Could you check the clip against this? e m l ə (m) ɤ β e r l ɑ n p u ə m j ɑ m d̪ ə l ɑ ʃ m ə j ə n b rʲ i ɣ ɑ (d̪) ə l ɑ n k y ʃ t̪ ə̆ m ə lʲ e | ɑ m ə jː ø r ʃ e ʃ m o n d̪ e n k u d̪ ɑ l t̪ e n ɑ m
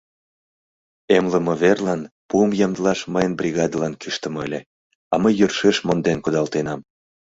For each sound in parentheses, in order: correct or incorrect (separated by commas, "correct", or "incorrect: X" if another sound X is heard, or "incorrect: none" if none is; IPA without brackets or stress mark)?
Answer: correct, correct